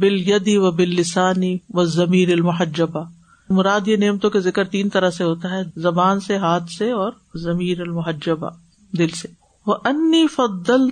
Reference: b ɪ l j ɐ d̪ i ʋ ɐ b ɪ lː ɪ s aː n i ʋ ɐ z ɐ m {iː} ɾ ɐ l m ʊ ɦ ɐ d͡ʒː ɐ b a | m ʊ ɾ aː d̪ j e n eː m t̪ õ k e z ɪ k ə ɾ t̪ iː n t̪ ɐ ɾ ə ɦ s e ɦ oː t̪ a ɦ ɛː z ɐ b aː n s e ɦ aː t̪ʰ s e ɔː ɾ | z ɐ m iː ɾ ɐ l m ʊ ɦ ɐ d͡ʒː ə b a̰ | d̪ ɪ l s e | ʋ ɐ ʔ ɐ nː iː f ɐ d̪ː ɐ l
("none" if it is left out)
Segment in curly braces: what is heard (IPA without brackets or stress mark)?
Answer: iː